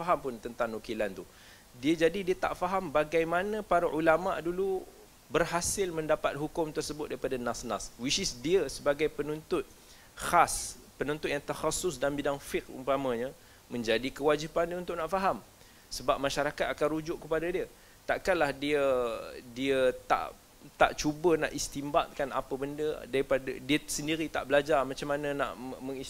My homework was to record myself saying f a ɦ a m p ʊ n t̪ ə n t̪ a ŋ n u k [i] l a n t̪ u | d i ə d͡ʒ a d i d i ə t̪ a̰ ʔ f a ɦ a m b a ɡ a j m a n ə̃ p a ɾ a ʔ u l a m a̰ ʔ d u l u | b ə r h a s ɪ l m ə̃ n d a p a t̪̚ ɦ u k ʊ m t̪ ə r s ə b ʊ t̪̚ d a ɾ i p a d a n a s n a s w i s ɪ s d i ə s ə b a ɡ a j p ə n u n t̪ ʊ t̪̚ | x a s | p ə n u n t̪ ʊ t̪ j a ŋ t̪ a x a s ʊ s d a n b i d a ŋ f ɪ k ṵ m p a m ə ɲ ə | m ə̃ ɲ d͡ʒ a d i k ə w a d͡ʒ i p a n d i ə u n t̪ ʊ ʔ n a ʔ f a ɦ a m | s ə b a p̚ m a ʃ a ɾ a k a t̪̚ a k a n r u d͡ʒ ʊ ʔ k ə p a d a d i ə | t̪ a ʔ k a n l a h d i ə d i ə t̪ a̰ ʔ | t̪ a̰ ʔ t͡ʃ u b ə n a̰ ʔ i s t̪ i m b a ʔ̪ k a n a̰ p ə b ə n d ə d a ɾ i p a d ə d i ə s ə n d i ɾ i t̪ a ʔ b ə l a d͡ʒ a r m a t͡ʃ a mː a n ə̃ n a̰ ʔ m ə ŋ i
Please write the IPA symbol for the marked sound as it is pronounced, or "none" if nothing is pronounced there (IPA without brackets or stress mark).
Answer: i